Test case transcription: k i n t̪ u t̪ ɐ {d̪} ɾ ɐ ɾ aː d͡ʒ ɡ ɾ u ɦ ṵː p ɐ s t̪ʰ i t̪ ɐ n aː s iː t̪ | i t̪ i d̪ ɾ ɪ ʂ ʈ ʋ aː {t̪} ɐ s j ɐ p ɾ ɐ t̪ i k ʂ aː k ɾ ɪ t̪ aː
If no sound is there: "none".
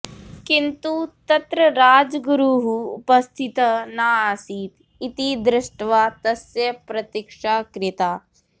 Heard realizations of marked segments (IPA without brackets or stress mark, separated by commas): t̪, t̪